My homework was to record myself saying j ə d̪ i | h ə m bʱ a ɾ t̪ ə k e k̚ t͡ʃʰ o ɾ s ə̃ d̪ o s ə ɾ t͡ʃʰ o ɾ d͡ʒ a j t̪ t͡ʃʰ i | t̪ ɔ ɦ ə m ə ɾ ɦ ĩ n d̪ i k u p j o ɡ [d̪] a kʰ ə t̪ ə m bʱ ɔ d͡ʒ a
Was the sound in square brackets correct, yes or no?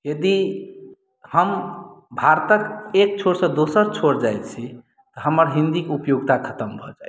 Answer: no